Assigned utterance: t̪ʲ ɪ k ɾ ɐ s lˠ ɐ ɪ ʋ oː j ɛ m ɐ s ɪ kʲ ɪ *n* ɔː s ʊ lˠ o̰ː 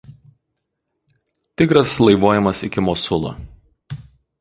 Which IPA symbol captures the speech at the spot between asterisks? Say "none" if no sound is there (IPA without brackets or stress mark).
m